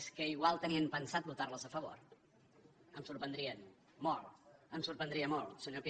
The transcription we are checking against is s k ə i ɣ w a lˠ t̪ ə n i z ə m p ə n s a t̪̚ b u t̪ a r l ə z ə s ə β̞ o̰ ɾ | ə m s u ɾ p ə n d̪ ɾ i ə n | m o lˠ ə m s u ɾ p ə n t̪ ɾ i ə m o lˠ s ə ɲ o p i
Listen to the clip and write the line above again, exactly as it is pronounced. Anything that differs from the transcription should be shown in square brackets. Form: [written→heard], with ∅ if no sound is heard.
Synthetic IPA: s k ə i ɣ w a lˠ t̪ ə n i [z→∅] ə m p ə n s a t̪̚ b u t̪ a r l ə z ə [s→f] ə β̞ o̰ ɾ | ə m s u ɾ p ə n d̪ ɾ i ə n | m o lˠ ə m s u ɾ p ə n [t̪→d̪] ɾ i ə m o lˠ s ə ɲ o p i